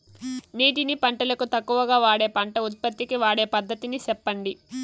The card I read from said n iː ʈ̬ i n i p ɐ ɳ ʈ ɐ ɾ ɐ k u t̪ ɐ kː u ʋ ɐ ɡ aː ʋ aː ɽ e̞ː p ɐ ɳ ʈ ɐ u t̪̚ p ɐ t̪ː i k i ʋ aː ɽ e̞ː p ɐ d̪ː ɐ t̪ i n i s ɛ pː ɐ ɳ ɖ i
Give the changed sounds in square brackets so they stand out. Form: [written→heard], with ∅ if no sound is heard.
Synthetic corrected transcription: n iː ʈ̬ i n i p ɐ ɳ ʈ ɐ [ɾ→l] ɐ k u t̪ ɐ kː u ʋ ɐ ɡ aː ʋ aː ɽ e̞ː p ɐ ɳ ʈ ɐ u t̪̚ p ɐ t̪ː i k i ʋ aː ɽ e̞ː p ɐ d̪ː ɐ t̪ i n i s ɛ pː ɐ ɳ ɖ i

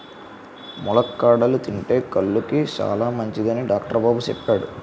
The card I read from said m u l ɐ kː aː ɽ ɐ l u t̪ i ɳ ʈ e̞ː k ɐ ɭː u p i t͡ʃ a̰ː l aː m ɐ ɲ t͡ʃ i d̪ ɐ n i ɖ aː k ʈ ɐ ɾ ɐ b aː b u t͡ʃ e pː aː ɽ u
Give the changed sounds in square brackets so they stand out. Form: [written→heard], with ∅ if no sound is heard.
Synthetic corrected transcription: m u l ɐ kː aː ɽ ɐ l u t̪ i ɳ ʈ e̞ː k ɐ ɭː u [p→k] i t͡ʃ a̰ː l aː m ɐ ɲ t͡ʃ i d̪ ɐ n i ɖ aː k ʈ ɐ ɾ ɐ b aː b u t͡ʃ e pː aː ɽ u

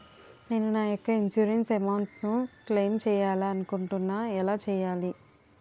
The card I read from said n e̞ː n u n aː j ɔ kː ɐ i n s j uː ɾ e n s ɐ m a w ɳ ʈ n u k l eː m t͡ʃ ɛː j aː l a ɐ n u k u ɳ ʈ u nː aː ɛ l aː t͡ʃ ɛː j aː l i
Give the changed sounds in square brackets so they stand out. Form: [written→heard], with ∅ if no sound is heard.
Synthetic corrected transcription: n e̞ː n u n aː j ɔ kː ɐ i n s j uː ɾ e n s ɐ m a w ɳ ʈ n u k l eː m t͡ʃ ɛː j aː l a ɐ n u k u ɳ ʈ u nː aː ɛ l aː t͡ʃ ɛː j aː l i

